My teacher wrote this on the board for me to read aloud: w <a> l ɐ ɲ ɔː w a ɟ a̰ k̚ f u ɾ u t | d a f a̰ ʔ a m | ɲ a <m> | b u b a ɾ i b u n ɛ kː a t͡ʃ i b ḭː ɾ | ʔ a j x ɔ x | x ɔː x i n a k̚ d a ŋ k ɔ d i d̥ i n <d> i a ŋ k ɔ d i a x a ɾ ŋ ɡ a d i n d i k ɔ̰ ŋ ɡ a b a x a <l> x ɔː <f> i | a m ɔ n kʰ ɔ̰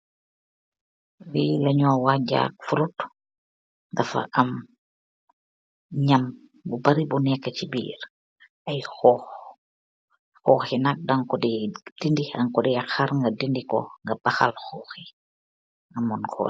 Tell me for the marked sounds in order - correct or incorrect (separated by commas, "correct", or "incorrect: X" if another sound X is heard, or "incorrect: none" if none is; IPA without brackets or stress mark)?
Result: incorrect: i, correct, correct, correct, incorrect: x